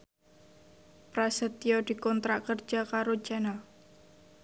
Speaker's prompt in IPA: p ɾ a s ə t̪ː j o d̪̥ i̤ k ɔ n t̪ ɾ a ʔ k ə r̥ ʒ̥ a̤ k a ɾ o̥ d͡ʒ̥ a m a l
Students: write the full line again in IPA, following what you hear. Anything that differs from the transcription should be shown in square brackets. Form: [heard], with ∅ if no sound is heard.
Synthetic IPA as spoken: p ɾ a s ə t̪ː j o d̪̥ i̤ k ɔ n t̪ ɾ a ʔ k ə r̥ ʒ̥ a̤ k a ɾ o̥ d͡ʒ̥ a [n] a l